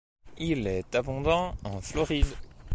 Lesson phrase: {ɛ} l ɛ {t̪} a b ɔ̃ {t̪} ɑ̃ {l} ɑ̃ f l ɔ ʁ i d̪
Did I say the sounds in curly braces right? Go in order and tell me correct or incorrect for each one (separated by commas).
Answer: incorrect, correct, incorrect, incorrect